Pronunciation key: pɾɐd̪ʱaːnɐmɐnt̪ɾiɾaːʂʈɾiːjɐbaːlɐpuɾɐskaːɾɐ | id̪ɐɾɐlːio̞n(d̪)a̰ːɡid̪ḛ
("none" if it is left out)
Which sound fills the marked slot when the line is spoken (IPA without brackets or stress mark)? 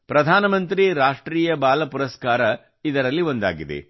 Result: d̪